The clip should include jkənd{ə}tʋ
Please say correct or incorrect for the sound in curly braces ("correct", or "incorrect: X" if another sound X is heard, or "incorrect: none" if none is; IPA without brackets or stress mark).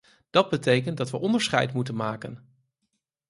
incorrect: ɑ